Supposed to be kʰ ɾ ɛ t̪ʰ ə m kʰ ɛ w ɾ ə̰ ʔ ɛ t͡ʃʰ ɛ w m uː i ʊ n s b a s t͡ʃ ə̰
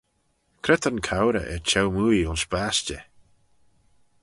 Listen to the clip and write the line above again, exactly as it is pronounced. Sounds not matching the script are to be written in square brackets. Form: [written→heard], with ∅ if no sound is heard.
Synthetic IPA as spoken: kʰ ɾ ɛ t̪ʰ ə [m→n] kʰ [ɛ→a] w ɾ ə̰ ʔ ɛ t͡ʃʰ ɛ w m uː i ʊ n s b a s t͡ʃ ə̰